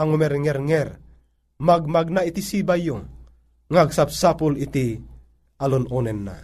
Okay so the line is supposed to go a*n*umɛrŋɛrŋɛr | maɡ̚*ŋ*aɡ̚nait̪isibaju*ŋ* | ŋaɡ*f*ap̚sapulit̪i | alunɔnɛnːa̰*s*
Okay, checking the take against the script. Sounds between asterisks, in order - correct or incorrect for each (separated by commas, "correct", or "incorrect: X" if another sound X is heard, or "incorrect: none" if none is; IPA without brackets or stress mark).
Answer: incorrect: ŋ, incorrect: m, correct, incorrect: s, incorrect: none